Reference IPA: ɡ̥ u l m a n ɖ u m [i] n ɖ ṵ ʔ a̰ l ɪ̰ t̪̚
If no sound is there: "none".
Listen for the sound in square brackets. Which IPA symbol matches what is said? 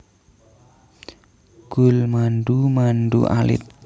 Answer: a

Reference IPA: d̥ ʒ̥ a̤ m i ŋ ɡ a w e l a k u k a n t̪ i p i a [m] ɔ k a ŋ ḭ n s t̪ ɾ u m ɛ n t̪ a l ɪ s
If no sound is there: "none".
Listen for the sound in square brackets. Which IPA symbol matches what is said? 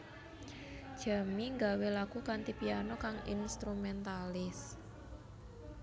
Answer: n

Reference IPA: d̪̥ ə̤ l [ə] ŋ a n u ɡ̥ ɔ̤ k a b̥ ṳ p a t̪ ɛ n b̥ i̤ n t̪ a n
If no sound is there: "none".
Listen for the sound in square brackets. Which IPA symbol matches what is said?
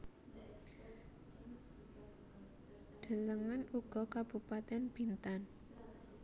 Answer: ə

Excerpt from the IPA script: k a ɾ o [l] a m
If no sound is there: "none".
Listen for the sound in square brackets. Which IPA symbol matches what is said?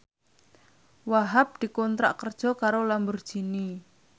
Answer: l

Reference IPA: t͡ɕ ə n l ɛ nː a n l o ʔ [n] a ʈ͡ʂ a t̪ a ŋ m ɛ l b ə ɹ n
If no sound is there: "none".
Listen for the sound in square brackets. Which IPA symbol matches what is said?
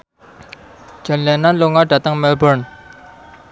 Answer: ŋ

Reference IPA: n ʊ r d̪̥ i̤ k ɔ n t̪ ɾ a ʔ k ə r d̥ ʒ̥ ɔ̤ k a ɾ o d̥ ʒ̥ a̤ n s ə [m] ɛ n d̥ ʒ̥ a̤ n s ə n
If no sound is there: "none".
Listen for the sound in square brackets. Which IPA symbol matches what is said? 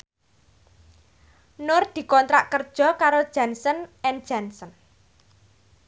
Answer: n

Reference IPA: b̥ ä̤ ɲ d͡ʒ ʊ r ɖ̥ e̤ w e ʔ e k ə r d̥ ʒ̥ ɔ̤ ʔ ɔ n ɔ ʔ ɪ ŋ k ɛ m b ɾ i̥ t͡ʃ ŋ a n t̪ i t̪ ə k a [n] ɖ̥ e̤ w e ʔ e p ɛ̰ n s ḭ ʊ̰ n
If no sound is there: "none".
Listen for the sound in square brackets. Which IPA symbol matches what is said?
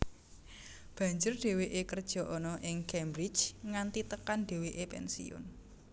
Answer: n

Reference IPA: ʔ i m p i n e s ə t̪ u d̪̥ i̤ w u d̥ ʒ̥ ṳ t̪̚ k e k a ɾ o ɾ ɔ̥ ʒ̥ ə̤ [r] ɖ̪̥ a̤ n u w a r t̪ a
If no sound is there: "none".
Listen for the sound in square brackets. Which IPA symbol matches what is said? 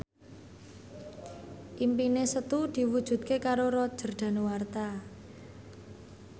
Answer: r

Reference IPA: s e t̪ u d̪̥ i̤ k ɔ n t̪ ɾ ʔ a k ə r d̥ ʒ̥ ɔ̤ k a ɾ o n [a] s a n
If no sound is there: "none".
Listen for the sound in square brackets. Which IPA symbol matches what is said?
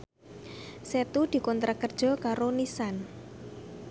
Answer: i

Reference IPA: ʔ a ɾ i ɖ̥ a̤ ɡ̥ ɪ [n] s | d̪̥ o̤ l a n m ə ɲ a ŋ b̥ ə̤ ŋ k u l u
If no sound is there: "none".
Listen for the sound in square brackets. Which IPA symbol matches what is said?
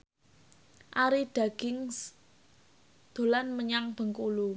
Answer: ŋ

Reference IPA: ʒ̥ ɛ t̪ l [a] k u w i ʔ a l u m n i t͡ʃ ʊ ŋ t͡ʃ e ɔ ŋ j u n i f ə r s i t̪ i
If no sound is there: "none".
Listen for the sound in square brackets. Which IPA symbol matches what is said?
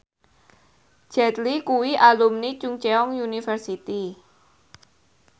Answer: i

